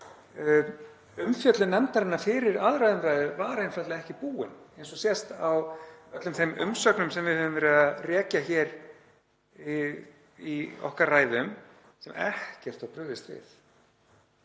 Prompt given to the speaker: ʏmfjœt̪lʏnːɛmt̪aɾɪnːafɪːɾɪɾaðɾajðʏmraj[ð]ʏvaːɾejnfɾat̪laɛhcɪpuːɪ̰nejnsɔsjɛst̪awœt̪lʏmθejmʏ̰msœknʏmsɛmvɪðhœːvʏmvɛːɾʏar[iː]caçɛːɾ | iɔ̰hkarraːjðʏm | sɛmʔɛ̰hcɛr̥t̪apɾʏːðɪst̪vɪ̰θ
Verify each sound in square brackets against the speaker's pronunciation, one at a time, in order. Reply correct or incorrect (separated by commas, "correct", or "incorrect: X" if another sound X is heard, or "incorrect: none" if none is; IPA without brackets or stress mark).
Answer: correct, incorrect: ɛː